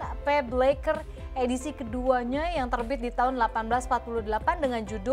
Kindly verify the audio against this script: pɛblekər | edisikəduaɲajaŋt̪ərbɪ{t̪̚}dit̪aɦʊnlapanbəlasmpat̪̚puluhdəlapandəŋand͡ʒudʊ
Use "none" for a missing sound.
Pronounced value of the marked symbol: t̪̚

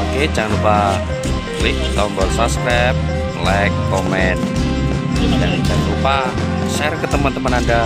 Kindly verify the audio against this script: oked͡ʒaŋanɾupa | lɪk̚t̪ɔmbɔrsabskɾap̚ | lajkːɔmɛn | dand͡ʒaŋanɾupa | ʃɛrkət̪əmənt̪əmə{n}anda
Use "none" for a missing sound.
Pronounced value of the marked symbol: n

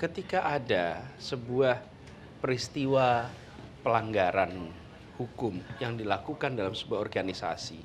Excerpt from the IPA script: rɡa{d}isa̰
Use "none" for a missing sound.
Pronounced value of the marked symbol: n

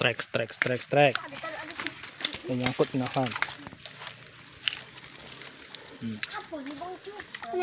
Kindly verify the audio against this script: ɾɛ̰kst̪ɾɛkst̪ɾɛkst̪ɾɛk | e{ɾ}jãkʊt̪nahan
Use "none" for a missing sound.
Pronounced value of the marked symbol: none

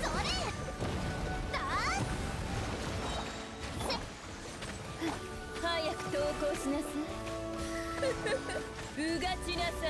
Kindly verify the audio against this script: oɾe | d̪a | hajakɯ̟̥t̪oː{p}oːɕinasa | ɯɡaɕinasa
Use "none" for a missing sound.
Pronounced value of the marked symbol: k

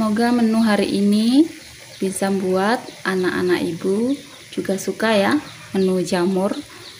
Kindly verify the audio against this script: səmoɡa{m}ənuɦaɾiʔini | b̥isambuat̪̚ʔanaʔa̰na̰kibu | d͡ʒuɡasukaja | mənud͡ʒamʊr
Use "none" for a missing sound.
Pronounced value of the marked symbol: m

